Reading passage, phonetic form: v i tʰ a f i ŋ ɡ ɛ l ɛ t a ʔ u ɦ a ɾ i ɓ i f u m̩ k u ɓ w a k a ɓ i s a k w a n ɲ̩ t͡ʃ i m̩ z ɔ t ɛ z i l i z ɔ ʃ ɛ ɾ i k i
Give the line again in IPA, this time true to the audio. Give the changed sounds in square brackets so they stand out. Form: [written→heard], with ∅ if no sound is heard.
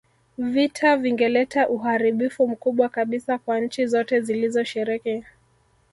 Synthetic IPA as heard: v i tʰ a [f→v] i ŋ ɡ ɛ l ɛ t a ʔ u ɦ a ɾ i ɓ i f u m̩ k u ɓ w a k a ɓ i s a k w a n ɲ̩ t͡ʃ i [m̩→∅] z ɔ t ɛ z i l i z ɔ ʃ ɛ ɾ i k i

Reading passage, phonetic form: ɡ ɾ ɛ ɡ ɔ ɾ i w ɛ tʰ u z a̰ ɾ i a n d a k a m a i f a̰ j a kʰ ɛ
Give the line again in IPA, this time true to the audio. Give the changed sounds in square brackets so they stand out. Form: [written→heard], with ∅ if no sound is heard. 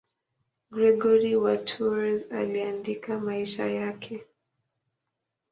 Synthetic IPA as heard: ɡ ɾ ɛ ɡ ɔ ɾ i w [ɛ→a] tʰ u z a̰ [ɾ→l] i a n d [a→i] k a m a i [f→ʃ] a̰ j a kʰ ɛ

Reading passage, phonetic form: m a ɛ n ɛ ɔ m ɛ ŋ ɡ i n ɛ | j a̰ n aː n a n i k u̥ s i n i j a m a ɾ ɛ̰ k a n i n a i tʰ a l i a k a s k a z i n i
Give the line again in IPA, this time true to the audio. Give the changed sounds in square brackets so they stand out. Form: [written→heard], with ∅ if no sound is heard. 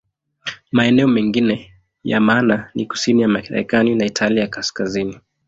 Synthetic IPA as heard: m a ɛ n ɛ ɔ m ɛ ŋ ɡ i n ɛ | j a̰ [n→m] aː n a n i k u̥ s i n i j a m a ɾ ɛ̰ k a n i n a i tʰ a l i a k a s k a z i n i

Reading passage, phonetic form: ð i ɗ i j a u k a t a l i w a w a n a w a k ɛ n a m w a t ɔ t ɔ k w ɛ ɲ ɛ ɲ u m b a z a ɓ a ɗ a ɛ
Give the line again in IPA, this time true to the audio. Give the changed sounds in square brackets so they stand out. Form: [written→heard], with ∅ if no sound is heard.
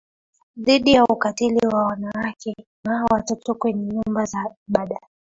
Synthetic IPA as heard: ð i ɗ i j a u k a t [a→i] l i w a w a n a w a k ɛ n a [m→∅] w a t ɔ t ɔ k w ɛ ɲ ɛ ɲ u m b a z a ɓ a ɗ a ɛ

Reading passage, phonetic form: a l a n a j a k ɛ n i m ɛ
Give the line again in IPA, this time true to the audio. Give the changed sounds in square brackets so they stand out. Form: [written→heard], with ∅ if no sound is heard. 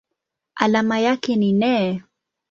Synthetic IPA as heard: a l a [n→m] a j a k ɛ n i [m→n] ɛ

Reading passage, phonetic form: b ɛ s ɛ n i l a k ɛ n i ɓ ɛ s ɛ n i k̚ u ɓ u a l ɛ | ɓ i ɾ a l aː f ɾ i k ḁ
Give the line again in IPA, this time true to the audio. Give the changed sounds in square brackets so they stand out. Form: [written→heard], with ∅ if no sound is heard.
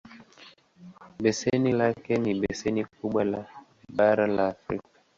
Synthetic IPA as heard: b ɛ s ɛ n i l a k ɛ n i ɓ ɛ s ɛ n i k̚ u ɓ [u→w] a l [ɛ→a] | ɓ [i→a] ɾ a l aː f ɾ i k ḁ

